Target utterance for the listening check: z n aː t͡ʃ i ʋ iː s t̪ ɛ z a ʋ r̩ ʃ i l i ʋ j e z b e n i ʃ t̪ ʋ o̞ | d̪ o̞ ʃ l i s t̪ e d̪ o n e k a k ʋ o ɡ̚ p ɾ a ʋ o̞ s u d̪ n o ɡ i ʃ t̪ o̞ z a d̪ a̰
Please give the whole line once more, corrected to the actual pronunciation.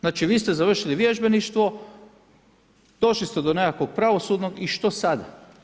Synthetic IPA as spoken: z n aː t͡ʃ i ʋ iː s t̪ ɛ z a ʋ r̩ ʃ i l i ʋ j e ʒ b e n i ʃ t̪ ʋ o̞ | d̪ o̞ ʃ l i s t̪ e d̪ o n e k a k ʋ o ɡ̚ p ɾ a ʋ o̞ s u d̪ n o ɡ i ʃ t̪ o̞ s a d̪ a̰